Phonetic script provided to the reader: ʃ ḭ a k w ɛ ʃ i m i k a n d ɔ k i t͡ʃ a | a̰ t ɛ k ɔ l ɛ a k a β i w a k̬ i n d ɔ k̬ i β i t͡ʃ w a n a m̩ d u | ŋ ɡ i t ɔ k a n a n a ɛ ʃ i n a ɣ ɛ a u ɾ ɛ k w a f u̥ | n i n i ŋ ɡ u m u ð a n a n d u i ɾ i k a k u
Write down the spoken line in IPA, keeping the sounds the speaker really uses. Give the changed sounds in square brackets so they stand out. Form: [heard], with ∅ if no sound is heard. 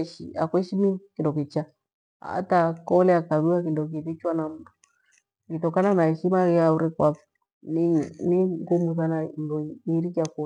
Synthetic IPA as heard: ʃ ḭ a k w ɛ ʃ i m i k [i] n d ɔ k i t͡ʃ a | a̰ t [a] k ɔ l ɛ a k a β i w a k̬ i n d ɔ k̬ i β i t͡ʃ w a n a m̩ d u | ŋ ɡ i t ɔ k a n a n a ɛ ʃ i [m] a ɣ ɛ a u ɾ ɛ k w a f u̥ | n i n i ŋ ɡ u m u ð a n a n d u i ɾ i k a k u